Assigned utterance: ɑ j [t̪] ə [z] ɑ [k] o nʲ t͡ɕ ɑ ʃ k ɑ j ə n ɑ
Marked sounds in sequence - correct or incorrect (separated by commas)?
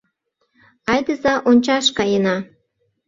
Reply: incorrect, correct, incorrect